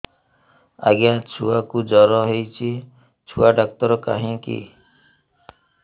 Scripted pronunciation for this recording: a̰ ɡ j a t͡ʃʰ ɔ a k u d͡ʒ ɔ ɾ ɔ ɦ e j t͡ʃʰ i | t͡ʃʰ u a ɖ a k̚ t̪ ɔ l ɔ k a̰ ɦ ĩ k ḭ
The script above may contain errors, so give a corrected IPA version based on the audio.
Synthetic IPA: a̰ ɡ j a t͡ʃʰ u a k u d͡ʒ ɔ ɾ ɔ ɦ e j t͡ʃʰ i | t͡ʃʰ u a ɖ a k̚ t̪ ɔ ɾ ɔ k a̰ ɦ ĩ k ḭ